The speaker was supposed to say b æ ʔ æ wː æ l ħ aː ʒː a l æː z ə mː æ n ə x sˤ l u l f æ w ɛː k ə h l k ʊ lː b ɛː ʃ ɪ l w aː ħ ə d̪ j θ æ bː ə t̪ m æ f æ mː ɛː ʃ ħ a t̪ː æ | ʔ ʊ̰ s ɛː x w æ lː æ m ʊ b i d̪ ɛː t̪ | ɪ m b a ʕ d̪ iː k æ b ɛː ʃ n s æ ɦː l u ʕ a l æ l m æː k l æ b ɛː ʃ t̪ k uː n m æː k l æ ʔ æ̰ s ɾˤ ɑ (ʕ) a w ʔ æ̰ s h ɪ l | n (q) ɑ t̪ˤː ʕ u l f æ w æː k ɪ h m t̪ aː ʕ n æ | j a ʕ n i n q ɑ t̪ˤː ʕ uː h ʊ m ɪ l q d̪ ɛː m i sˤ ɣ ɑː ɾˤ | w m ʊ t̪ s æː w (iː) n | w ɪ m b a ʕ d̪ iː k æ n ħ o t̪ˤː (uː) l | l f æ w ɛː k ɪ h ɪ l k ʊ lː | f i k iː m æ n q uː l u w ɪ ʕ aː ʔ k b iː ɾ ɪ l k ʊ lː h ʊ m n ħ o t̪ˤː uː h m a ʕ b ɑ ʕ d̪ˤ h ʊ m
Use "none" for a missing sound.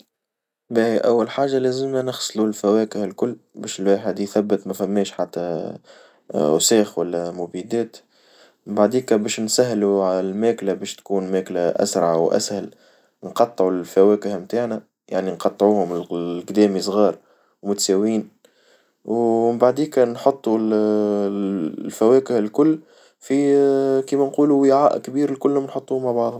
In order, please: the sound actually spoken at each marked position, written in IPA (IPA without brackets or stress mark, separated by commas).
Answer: ʕ, q, iː, u